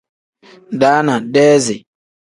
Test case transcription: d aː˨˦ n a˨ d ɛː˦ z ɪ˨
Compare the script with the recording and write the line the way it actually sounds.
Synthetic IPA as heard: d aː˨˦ n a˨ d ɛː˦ z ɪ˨